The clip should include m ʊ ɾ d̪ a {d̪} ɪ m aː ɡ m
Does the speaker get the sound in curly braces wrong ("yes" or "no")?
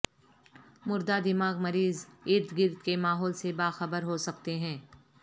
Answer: no